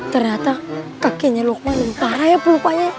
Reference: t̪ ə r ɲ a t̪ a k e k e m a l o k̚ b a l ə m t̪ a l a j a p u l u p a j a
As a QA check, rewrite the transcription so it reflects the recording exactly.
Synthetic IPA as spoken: t̪ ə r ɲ a t̪ a k a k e ɲ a l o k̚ m a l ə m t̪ a ɾ a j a p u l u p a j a